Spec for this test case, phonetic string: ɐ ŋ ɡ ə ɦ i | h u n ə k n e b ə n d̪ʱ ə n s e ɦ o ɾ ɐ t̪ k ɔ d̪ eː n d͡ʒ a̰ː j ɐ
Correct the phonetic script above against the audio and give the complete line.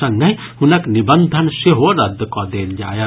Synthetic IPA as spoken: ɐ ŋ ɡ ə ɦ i | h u n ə k n i b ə n d̪ʱ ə n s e ɦ o ɾ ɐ d̪ k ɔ d̪ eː n d͡ʒ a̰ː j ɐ